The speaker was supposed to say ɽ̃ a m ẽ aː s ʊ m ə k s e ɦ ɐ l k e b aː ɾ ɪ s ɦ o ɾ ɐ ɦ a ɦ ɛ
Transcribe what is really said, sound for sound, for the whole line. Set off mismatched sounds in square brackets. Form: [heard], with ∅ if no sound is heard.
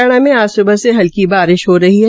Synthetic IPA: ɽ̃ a m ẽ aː s ʊ [b] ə [∅] s e ɦ ɐ l k [i] b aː ɾ ɪ [ʃ] ɦ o ɾ ɐ ɦ [i] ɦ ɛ